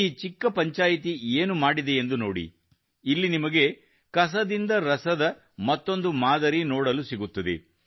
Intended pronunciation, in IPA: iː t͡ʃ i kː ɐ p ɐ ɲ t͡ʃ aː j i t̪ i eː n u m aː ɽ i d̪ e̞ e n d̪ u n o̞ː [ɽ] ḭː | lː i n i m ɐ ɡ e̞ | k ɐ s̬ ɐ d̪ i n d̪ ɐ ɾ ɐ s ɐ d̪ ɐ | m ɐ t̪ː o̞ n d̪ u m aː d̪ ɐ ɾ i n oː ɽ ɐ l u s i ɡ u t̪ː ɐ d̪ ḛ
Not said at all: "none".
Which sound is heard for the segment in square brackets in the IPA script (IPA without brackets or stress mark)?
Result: ɽ